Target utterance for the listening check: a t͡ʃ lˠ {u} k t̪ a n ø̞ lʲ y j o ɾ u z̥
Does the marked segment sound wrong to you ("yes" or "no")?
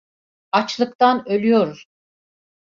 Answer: yes